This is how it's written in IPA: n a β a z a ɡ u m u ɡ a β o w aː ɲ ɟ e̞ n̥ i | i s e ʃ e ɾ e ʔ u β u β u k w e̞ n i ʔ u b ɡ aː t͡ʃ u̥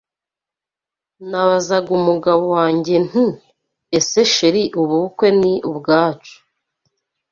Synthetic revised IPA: n a β a z a ɡ u m u ɡ a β o w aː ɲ ɟ e̞ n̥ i | e s e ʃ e ɾ i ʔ u β u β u k w e̞ n i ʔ u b ɡ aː t͡ʃ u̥